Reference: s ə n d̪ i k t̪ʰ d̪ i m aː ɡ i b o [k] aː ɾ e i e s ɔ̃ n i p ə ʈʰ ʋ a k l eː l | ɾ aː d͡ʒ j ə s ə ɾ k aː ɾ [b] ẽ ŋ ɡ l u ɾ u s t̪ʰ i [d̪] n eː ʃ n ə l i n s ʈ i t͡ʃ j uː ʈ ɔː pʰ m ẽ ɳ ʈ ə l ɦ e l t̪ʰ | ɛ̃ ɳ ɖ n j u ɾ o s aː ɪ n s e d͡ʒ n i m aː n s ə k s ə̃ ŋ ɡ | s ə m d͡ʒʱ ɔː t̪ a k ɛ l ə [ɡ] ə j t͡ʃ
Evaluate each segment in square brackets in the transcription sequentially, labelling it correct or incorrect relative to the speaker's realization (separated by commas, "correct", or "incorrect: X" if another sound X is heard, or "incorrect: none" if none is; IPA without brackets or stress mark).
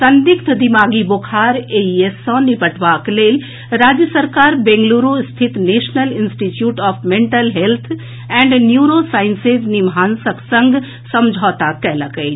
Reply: incorrect: kʰ, correct, incorrect: t̪, incorrect: k